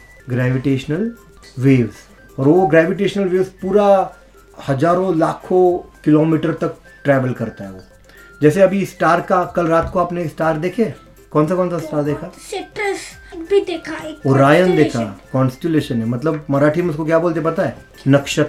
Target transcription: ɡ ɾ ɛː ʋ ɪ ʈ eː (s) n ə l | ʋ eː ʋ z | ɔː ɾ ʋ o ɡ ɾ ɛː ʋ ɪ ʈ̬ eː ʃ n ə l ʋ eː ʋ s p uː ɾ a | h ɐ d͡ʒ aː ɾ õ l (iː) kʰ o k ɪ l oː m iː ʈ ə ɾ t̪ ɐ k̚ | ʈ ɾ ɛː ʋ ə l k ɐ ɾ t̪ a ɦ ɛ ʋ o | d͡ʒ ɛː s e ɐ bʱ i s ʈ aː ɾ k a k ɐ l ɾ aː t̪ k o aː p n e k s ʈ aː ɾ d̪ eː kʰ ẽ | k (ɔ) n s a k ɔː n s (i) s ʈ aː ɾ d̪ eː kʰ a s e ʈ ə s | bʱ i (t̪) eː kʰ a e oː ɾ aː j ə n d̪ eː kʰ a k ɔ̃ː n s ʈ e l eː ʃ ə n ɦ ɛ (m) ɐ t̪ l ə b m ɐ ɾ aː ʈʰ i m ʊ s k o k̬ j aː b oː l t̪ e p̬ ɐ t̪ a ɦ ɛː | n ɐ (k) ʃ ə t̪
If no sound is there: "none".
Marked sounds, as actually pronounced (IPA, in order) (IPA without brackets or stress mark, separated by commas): ʃ, aː, ɔː, a, d̪, m, k